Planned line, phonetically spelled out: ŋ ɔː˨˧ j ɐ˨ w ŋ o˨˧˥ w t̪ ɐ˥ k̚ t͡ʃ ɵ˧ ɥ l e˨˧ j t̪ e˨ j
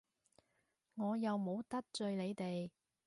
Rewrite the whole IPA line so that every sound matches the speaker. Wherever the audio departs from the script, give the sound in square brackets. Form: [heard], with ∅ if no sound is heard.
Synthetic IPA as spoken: ŋ ɔː˨˧ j ɐ˨ w [m] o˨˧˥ w t̪ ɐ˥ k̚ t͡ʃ ɵ˧ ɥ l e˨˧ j t̪ e˨ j

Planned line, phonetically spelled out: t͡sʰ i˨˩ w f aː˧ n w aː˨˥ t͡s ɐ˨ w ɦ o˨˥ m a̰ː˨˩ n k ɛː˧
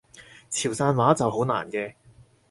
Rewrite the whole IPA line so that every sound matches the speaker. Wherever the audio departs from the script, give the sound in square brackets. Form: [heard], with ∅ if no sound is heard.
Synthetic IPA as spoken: t͡sʰ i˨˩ w [s] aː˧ n w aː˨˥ t͡s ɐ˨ w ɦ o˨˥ [n] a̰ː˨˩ n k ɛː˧

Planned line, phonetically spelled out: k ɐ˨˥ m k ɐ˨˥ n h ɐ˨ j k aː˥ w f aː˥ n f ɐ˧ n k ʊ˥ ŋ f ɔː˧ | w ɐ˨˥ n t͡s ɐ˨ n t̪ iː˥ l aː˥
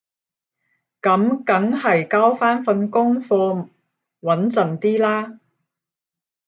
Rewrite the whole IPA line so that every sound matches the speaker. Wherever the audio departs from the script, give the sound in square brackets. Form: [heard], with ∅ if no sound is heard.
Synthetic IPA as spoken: k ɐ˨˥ m k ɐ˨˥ [ŋ] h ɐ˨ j k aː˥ w f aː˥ n f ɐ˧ n k ʊ˥ ŋ f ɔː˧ | w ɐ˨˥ n t͡s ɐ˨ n t̪ iː˥ l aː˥

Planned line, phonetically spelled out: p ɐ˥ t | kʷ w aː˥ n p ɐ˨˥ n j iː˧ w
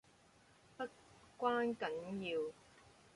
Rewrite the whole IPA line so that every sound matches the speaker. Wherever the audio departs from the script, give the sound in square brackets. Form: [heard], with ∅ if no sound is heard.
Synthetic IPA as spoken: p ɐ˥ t | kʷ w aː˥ n [k] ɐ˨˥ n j iː˧ w

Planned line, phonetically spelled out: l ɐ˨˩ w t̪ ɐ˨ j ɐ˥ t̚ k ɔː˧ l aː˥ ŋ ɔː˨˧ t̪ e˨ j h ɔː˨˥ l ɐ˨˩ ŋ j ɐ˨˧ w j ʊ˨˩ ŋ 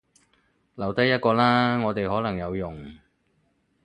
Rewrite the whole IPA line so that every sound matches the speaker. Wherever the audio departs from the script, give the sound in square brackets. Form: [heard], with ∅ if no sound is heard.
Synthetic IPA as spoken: l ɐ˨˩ w t̪ [ɐ˥] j ɐ˥ t̚ k ɔː˧ l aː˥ ŋ ɔː˨˧ t̪ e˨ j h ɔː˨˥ l ɐ˨˩ ŋ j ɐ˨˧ w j ʊ˨˩ ŋ

